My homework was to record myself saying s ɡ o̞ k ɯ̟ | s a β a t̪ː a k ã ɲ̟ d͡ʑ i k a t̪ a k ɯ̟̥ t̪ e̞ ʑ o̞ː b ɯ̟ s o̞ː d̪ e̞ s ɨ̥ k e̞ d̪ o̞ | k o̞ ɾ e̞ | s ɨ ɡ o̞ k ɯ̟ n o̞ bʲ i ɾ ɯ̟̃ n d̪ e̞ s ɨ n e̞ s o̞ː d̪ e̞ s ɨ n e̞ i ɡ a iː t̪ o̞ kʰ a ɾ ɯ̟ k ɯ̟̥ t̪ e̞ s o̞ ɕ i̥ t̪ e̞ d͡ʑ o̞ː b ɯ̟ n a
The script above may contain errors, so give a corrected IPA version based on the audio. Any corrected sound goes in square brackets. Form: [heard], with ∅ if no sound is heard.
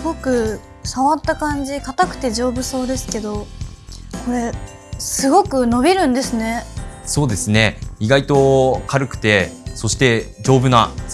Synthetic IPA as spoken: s ɡ o̞ k ɯ̟ | s a β a t̪ː a k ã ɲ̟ d͡ʑ i k a t̪ a k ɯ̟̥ t̪ e̞ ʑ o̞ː b ɯ̟ s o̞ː d̪ e̞ s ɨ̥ k e̞ d̪ o̞ | k o̞ ɾ e̞ | s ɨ ɡ o̞ k ɯ̟ n o̞ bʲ i ɾ ɯ̟̃ n d̪ e̞ s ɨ n e̞ s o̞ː d̪ e̞ s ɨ n e̞ i ɡ a [i] t̪ o̞ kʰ a ɾ ɯ̟ k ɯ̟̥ t̪ e̞ s o̞ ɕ i̥ t̪ e̞ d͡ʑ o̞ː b ɯ̟ n a